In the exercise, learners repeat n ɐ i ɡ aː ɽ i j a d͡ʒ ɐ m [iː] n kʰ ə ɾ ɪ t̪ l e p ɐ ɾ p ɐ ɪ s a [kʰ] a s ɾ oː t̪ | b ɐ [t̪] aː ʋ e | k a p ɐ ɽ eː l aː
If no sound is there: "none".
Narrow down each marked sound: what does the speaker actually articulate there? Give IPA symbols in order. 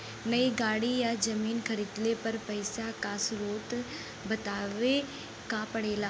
iː, k, t̪

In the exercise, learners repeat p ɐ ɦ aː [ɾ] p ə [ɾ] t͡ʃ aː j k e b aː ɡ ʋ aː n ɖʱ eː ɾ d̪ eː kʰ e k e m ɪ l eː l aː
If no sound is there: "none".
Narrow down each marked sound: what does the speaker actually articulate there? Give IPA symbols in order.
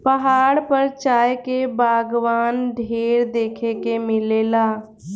ɽ, ɾ

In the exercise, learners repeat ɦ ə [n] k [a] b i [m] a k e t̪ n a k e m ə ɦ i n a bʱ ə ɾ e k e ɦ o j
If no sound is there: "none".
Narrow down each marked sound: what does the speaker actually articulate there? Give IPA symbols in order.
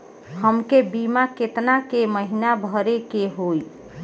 m, e, m

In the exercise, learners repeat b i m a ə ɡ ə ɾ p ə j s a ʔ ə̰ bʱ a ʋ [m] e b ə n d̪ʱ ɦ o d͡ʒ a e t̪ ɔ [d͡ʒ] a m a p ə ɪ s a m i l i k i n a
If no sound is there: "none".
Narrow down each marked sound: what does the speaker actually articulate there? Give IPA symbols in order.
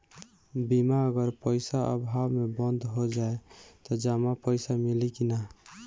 m, d͡ʒ

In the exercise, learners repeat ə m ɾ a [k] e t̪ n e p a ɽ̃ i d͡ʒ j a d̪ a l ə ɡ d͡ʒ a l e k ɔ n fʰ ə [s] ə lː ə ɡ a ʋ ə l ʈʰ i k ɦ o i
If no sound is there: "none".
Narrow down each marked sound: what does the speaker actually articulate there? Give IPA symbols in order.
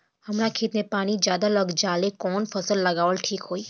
kʰ, s

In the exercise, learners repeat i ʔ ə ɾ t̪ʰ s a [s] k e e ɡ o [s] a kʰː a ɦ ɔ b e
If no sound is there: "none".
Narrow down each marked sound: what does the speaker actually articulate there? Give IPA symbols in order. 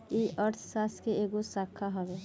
s, s

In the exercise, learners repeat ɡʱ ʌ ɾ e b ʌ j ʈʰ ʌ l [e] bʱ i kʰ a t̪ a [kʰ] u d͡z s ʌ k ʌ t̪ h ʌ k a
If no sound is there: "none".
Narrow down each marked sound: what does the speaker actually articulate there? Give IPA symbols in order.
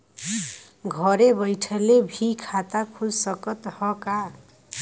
e, kʰ

